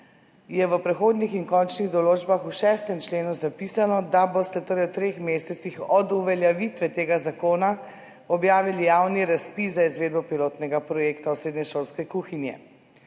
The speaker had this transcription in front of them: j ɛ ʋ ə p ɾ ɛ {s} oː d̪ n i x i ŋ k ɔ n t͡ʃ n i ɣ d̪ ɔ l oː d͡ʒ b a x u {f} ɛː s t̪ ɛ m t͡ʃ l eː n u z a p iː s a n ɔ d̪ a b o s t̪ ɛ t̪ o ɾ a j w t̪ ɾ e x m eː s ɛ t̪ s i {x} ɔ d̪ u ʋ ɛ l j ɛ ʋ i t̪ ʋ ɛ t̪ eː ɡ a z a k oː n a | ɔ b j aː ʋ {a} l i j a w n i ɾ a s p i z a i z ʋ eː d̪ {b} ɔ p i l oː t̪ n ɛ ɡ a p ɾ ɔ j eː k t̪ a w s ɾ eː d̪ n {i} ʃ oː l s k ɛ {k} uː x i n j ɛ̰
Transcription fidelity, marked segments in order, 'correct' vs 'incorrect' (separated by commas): incorrect, incorrect, correct, incorrect, correct, incorrect, correct